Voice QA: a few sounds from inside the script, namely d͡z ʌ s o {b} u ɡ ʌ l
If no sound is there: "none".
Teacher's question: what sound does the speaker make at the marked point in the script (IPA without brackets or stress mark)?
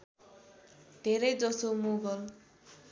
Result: m